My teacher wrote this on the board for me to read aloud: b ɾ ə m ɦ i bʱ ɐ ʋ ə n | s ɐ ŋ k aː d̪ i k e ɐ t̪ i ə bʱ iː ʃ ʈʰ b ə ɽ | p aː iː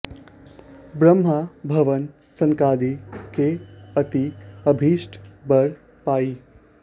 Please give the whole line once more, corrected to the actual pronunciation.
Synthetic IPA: b ɾ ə m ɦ a bʱ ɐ ʋ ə n | s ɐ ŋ k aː d̪ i k e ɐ t̪ i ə bʱ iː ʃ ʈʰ b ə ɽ | p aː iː